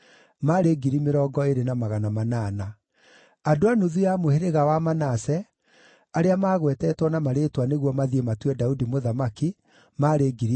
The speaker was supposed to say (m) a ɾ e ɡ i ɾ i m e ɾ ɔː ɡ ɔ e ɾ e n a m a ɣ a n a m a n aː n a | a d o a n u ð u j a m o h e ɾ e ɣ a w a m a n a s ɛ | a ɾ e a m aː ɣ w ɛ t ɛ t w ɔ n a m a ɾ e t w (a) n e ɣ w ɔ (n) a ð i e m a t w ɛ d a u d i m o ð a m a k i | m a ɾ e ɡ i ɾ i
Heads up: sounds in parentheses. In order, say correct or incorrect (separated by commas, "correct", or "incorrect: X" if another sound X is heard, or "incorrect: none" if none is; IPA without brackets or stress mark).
correct, correct, incorrect: m